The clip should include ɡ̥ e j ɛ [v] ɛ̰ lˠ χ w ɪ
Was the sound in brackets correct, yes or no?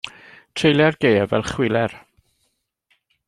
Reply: yes